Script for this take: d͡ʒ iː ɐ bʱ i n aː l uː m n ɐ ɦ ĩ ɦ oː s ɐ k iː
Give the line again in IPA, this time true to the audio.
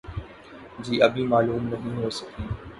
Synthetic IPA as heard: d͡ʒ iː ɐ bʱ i m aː l uː m n ɐ ɦ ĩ ɦ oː s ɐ k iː